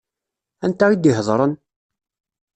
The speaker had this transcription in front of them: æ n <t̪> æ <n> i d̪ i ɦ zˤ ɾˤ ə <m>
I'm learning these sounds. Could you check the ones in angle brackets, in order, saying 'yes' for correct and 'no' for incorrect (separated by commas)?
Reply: yes, no, no